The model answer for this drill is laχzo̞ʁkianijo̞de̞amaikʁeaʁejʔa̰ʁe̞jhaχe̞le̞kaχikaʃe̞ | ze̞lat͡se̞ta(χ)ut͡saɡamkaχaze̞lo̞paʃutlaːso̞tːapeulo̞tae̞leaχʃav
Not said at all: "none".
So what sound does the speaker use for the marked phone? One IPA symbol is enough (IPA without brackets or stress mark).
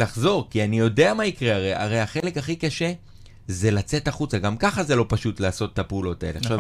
χ